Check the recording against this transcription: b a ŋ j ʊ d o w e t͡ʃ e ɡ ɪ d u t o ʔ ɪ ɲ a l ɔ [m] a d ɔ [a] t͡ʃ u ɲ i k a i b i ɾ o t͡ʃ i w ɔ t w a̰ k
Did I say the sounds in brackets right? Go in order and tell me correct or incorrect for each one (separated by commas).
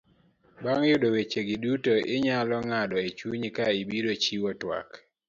incorrect, incorrect